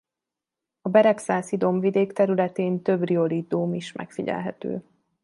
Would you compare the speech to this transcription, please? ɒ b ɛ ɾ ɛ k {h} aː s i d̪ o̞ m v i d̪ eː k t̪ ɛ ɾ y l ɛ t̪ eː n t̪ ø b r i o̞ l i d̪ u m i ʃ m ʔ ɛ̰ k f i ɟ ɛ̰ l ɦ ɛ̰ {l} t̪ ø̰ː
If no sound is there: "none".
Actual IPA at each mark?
s, none

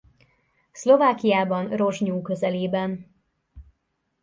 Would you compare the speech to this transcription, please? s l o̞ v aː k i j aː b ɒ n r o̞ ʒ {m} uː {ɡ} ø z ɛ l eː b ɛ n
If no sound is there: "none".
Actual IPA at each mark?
ɲ, k

